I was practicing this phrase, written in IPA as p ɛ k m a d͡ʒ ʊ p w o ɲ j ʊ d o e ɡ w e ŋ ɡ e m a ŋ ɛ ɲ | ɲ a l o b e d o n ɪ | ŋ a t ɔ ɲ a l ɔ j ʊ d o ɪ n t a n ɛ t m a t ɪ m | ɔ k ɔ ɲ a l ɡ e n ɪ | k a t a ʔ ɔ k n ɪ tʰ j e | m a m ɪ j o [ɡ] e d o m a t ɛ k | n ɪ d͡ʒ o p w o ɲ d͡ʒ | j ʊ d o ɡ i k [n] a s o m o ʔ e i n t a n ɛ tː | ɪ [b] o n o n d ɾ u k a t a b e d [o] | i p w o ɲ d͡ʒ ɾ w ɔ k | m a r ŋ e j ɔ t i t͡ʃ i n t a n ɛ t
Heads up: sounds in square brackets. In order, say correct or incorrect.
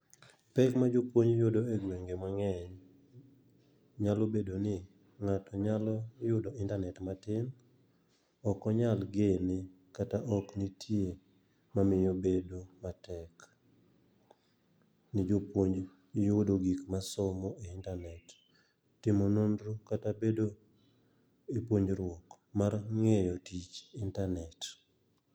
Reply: incorrect, incorrect, incorrect, correct

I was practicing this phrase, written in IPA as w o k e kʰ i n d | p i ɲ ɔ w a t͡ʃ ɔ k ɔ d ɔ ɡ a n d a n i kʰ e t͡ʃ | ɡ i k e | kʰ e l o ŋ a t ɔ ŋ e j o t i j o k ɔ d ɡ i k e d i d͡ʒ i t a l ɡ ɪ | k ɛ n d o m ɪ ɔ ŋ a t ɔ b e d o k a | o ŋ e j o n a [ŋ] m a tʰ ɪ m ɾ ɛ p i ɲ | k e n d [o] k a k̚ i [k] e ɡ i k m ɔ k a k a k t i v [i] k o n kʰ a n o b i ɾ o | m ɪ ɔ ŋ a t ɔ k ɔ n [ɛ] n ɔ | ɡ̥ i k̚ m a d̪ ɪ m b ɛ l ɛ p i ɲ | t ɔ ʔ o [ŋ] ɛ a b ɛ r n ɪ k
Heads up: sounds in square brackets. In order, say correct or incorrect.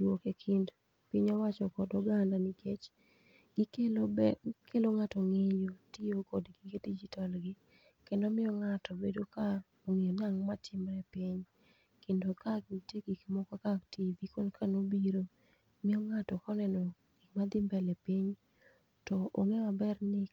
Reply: correct, correct, incorrect, correct, correct, correct

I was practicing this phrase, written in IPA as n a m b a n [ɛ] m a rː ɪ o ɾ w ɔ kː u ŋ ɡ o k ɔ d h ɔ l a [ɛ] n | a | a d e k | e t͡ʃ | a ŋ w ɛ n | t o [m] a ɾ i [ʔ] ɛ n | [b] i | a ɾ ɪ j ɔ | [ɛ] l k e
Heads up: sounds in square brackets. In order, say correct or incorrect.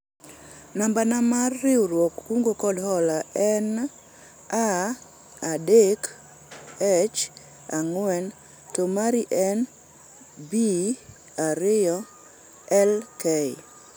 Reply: incorrect, correct, correct, correct, correct, correct

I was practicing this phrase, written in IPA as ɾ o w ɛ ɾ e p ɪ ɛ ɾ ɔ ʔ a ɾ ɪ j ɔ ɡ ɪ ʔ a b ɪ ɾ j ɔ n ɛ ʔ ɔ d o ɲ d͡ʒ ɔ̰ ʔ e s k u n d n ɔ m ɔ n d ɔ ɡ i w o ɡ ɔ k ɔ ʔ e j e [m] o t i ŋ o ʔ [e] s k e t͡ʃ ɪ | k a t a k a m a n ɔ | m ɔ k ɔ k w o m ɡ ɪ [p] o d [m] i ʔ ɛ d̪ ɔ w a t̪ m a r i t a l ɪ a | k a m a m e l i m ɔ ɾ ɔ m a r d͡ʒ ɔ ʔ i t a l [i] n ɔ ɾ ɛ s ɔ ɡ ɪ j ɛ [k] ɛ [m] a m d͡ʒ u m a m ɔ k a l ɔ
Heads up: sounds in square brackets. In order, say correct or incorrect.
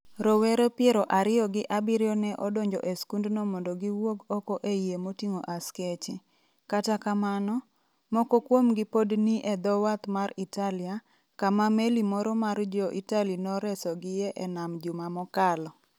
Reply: correct, incorrect, correct, incorrect, correct, incorrect, incorrect

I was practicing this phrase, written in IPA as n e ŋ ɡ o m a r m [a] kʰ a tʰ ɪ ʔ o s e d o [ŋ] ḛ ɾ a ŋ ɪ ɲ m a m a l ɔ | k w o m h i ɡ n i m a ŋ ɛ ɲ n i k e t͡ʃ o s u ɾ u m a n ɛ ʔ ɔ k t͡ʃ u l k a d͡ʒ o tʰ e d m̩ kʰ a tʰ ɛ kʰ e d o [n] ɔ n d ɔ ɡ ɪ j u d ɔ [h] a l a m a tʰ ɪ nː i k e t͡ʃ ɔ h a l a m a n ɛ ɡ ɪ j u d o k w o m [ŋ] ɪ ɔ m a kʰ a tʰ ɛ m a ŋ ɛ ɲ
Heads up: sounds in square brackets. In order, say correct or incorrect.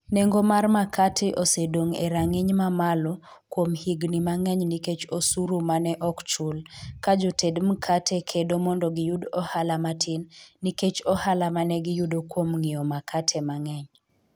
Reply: correct, correct, incorrect, correct, correct

